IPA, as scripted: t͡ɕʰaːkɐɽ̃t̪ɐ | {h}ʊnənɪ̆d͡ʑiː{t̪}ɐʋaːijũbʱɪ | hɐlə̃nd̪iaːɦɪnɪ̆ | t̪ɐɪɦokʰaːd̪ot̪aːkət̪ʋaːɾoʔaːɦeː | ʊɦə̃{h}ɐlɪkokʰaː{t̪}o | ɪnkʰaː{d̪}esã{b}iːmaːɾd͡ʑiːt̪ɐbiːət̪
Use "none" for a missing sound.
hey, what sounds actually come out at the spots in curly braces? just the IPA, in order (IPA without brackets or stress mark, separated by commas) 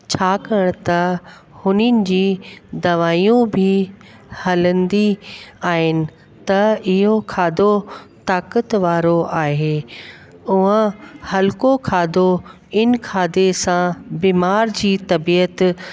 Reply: h, d̪, h, d̪, d̪, b